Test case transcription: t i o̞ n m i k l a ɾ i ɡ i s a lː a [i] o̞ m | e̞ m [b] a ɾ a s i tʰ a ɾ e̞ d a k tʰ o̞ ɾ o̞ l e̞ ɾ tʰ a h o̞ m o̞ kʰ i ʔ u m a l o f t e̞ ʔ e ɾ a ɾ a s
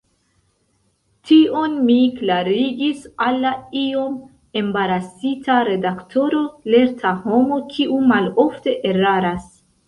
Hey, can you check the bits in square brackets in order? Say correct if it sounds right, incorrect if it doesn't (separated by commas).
correct, correct